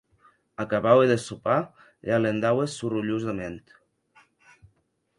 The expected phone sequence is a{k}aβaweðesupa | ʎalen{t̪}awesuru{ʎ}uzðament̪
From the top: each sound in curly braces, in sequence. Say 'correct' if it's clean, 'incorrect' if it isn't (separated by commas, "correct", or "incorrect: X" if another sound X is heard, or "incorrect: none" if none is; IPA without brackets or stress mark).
correct, incorrect: d̪, correct